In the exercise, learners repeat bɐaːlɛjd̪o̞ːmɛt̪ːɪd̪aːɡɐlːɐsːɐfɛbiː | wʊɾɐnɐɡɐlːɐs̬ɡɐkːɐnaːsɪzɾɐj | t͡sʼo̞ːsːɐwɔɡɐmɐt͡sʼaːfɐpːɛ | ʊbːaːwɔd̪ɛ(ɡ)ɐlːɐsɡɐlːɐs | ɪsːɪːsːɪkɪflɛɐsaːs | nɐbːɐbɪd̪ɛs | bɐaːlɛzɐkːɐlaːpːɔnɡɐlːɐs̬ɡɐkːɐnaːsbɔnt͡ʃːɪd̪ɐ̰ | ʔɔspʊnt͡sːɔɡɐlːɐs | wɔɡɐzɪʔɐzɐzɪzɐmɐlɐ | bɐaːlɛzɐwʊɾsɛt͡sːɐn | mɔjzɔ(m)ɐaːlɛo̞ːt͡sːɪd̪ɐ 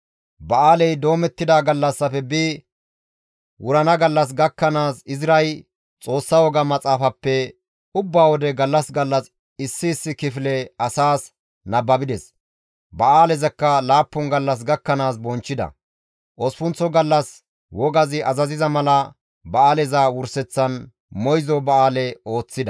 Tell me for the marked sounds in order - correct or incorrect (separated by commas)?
correct, incorrect